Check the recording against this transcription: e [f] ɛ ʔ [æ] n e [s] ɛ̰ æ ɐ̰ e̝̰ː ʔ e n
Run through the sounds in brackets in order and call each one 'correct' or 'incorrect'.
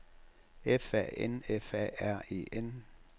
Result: correct, incorrect: e, incorrect: f

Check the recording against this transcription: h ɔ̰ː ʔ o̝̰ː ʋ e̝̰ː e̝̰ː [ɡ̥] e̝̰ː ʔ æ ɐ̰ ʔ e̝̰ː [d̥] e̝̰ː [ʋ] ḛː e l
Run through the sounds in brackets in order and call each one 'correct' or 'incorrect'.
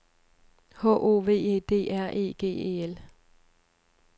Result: incorrect: d̥, incorrect: ɡ̥, incorrect: none

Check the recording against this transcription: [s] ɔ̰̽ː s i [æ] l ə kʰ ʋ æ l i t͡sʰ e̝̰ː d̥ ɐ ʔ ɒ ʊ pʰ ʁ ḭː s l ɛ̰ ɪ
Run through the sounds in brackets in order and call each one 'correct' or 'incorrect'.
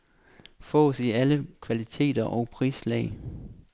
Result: incorrect: f, correct

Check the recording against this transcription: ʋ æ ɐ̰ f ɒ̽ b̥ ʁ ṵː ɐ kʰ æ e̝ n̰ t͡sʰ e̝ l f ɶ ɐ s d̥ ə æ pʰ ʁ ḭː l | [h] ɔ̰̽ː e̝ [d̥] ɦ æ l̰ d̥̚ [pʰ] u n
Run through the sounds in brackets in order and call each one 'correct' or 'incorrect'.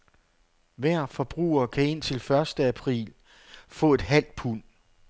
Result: incorrect: f, correct, correct

